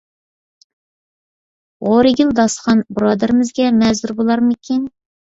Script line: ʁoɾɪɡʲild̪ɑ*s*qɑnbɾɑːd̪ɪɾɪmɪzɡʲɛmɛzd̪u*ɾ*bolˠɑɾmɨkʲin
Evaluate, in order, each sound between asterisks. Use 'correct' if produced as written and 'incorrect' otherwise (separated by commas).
correct, correct